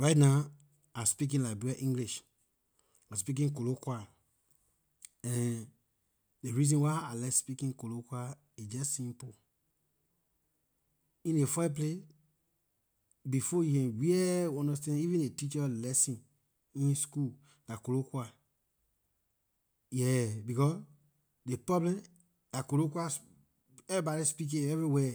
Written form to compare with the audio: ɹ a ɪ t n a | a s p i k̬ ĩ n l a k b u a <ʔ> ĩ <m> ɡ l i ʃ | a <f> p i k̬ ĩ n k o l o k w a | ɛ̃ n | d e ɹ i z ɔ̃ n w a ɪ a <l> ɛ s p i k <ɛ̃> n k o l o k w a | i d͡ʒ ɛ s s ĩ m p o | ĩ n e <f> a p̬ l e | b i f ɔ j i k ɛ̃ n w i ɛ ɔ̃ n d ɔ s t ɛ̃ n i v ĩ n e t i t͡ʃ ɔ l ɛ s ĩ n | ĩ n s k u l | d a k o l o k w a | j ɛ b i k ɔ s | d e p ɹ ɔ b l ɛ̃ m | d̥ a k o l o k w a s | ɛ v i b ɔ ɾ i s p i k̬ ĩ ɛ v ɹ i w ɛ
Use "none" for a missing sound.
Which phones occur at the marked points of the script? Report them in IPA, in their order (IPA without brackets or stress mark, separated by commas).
ʔ, ŋ, s, l, ĩ, f